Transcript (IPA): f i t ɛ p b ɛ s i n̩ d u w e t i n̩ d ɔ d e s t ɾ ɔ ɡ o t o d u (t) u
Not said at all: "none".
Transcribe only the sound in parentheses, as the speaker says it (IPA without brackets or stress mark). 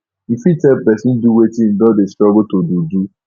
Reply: d